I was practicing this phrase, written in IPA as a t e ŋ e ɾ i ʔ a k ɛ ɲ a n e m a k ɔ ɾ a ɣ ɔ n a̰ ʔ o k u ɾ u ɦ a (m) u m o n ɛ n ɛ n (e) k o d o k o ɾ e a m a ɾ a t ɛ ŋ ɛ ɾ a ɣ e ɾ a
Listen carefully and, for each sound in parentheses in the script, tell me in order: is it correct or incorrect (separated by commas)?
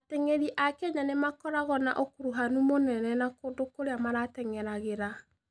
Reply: incorrect, incorrect